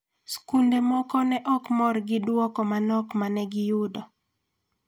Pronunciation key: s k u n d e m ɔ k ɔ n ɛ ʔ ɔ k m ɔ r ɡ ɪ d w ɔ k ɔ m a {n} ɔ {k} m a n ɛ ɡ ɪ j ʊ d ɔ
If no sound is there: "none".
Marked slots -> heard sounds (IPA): n, k

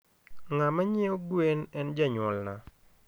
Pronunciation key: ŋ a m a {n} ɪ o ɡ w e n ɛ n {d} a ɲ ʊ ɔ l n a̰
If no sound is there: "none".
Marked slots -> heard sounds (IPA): ɲ, d͡ʒ

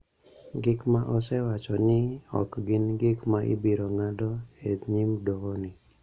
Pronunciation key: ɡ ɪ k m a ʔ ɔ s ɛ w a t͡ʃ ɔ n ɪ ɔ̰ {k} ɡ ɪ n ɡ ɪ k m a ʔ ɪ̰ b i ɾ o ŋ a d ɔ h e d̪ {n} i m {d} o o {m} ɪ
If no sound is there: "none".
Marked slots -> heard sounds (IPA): k, ɲ, d, n

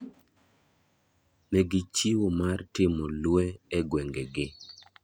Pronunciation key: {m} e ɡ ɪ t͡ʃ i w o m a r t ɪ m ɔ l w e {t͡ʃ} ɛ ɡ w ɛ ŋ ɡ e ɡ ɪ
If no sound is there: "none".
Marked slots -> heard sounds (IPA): m, none

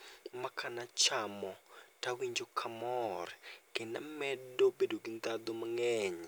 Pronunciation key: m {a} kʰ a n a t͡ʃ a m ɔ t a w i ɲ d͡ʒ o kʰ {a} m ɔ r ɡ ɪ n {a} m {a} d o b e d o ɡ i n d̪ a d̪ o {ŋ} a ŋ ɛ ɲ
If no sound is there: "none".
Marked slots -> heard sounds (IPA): a, a, a, ɛ, m

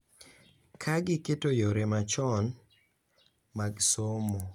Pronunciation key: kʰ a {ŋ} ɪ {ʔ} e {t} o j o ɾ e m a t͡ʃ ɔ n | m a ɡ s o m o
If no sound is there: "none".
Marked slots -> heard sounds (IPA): ɡ, k, t

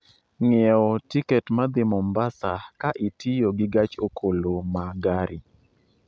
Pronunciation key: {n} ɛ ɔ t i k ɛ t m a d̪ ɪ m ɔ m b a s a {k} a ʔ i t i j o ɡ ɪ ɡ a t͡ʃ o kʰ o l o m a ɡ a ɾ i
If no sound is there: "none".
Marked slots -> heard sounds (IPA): ŋ, k

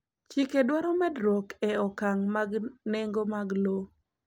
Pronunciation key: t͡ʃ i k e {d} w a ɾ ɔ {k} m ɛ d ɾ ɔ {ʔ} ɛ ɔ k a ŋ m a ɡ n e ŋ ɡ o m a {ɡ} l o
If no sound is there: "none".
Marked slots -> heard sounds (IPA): d, none, k, ɡ

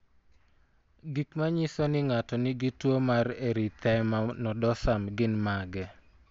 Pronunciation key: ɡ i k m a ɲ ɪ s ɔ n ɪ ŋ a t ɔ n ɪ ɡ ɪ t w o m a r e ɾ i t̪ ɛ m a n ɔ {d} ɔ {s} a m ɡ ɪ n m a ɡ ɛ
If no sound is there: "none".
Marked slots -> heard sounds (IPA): d, s

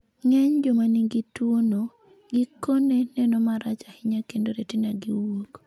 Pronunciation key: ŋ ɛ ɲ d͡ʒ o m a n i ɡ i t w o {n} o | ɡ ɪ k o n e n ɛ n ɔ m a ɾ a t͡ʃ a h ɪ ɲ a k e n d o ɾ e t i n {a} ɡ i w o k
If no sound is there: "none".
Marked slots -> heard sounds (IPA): n, a

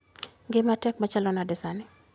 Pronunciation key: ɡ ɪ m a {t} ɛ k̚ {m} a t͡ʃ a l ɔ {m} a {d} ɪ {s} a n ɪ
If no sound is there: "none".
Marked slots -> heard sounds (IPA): t, m, n, d, s

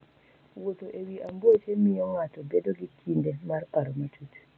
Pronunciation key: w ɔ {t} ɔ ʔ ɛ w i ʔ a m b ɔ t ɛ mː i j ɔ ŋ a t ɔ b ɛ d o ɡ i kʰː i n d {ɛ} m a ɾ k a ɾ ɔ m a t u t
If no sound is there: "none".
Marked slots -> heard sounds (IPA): t, ɛ

